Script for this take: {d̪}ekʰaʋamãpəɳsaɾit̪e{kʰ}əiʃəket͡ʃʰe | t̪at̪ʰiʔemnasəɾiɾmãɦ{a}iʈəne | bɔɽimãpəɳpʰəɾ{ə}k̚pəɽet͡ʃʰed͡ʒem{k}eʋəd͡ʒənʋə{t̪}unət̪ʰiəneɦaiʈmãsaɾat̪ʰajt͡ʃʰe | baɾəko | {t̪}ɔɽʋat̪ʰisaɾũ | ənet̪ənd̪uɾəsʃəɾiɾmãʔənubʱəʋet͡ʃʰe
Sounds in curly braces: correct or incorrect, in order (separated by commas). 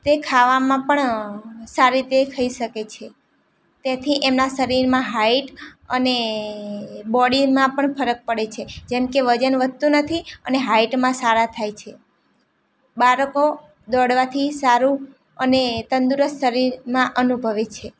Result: incorrect, correct, correct, correct, correct, correct, incorrect